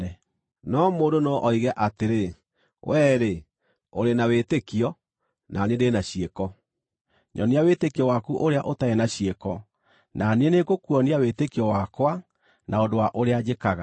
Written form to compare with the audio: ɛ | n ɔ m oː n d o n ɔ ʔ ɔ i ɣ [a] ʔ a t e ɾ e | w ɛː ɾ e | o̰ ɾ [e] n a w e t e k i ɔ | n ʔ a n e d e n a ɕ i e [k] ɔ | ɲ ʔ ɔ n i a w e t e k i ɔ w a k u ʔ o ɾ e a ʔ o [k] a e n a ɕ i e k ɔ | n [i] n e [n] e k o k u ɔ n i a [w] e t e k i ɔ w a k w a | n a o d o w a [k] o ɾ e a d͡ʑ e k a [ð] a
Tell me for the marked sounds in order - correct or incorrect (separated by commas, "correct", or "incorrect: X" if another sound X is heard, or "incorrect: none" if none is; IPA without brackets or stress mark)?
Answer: incorrect: ɛ, correct, correct, incorrect: t, incorrect: a, correct, correct, incorrect: ʔ, incorrect: ɣ